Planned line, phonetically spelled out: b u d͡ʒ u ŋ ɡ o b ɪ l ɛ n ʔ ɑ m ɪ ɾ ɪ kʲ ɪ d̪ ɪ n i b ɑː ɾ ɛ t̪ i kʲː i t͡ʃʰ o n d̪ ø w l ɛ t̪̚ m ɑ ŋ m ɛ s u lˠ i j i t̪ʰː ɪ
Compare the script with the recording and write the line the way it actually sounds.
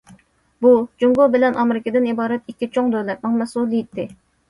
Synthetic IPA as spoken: b u d͡ʒ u ŋ ɡ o b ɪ l ɛ n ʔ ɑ m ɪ ɾ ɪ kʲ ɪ d̪ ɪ n i b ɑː ɾ ɛ t̪ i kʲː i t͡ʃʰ o ŋ d̪ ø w l ɛ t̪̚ m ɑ ŋ m ɛ s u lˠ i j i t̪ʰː ɪ